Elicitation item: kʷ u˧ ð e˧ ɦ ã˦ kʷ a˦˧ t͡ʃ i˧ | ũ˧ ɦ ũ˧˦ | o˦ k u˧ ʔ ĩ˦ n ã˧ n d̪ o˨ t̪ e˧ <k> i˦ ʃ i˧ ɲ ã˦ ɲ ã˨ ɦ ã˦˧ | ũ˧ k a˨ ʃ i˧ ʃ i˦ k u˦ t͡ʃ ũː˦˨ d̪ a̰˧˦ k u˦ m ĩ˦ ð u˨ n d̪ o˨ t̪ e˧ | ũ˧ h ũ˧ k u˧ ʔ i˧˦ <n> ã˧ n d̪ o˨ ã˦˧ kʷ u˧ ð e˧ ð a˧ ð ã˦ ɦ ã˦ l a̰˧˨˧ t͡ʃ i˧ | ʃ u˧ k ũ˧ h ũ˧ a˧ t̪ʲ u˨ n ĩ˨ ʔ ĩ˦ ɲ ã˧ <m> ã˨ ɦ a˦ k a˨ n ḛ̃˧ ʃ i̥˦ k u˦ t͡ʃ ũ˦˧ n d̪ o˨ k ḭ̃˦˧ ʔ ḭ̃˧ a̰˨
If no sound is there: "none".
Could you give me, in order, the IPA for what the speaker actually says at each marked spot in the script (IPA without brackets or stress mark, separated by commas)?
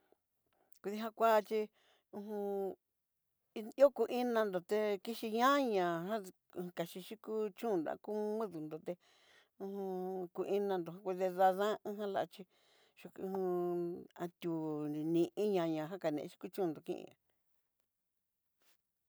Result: k, n, ɲ